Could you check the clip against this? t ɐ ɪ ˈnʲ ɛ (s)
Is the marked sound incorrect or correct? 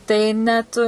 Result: incorrect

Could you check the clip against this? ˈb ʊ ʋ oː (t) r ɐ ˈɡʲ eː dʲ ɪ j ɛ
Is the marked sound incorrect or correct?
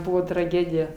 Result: correct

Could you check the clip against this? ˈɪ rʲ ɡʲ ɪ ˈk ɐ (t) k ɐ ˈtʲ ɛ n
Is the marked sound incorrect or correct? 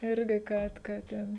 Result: correct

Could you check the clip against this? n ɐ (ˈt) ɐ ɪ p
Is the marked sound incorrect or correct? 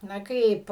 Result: incorrect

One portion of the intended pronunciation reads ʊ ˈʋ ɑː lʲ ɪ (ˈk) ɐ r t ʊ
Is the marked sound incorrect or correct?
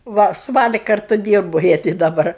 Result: correct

